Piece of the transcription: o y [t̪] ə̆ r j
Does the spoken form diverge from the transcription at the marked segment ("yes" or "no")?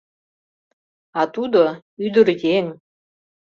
yes